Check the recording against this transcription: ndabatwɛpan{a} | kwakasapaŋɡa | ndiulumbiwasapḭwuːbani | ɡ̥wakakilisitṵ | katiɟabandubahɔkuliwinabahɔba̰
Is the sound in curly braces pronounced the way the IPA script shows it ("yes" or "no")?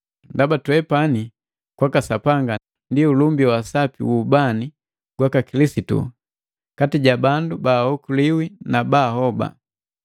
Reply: no